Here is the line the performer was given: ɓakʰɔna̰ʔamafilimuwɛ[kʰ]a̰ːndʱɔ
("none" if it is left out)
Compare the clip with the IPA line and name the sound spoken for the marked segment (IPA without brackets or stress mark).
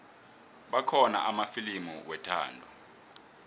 tʰ